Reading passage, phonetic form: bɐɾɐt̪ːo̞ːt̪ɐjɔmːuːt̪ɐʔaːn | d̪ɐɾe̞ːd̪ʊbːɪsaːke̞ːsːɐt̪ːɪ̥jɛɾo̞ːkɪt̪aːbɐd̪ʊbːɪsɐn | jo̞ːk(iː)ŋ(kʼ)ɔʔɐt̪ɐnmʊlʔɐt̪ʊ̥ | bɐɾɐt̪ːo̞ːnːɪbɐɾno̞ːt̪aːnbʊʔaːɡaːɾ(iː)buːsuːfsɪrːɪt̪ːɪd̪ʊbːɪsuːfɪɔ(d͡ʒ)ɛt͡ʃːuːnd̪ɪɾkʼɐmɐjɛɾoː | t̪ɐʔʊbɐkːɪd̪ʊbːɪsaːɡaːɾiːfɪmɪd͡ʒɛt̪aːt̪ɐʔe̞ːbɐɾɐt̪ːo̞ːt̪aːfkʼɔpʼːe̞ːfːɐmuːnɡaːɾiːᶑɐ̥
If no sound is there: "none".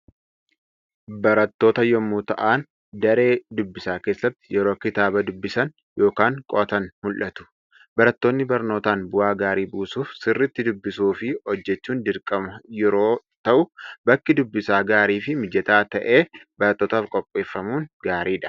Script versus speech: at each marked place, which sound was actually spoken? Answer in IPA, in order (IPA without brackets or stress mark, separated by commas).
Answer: aː, kʼ, iː, d͡ʒː